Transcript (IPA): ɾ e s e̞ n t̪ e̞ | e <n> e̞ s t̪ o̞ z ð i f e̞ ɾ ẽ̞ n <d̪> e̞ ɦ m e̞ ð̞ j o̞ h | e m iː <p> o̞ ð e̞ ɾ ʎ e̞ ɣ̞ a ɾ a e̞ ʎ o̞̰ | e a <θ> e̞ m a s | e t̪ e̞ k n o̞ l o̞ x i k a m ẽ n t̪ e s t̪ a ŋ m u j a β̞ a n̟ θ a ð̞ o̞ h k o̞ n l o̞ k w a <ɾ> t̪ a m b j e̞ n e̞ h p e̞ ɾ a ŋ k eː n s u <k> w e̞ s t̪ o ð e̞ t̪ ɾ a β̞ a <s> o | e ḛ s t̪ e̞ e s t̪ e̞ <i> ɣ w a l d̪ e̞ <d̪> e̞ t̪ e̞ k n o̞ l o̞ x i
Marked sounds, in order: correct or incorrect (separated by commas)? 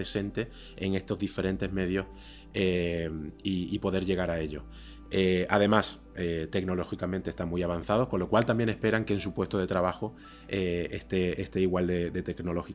incorrect, incorrect, correct, incorrect, incorrect, incorrect, incorrect, correct, correct